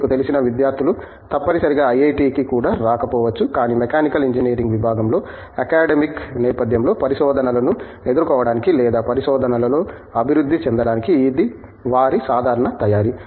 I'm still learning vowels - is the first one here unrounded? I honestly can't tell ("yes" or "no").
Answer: no